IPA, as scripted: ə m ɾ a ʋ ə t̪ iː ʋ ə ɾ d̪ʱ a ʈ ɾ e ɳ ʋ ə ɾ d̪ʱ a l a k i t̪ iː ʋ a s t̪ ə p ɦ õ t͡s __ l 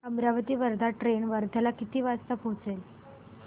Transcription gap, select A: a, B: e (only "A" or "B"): B